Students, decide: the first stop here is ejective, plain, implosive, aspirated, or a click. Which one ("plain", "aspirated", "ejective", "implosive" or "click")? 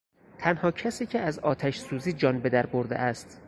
aspirated